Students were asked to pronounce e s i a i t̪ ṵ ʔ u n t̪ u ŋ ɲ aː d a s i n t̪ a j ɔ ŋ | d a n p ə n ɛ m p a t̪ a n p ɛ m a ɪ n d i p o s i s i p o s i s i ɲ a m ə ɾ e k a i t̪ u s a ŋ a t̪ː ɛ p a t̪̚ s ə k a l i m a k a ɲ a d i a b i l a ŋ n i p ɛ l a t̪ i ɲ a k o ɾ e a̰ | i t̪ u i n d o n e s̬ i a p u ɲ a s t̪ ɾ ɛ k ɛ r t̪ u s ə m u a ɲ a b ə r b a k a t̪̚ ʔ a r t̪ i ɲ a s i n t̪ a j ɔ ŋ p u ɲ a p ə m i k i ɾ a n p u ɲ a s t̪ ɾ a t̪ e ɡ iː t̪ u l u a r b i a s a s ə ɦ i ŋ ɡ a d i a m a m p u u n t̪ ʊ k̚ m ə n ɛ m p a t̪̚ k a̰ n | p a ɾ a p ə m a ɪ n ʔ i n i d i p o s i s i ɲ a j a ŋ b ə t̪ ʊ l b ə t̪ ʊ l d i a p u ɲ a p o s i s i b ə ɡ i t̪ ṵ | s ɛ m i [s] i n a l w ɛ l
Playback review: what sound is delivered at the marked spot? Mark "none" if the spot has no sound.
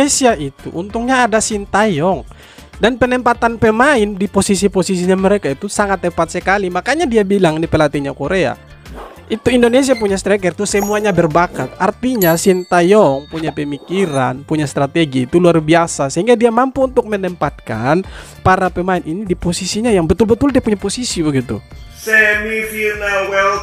f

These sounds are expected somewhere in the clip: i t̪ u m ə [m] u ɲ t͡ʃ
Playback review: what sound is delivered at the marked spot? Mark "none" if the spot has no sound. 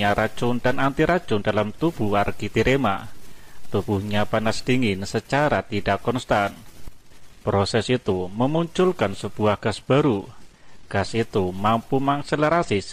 m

